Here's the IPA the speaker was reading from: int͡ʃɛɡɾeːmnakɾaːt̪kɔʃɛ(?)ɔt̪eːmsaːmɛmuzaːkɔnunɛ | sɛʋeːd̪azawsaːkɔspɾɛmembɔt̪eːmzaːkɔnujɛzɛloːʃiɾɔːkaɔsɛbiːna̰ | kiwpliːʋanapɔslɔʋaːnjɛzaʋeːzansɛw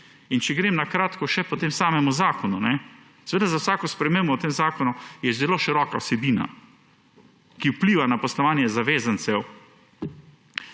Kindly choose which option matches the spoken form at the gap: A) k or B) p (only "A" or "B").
B